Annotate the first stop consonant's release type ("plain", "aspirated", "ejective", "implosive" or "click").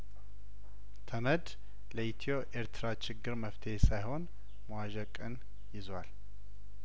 aspirated